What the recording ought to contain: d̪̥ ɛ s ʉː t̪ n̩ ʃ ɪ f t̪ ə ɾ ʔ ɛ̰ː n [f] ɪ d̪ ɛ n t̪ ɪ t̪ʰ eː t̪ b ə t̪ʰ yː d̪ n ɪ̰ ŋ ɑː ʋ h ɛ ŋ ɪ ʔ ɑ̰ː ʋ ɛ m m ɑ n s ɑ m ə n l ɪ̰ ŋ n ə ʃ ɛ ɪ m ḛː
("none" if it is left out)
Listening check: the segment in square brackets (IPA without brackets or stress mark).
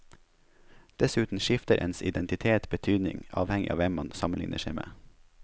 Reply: s